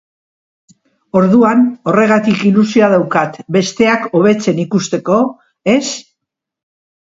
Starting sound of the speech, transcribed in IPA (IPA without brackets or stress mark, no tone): o̞